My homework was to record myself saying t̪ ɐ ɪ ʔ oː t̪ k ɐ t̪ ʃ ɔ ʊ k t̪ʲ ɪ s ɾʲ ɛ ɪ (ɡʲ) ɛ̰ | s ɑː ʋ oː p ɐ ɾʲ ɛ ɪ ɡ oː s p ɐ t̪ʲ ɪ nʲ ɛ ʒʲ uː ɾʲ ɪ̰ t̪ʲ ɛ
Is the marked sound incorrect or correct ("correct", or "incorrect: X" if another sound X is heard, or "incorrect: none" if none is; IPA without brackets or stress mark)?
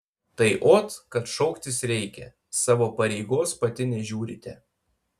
incorrect: kʲ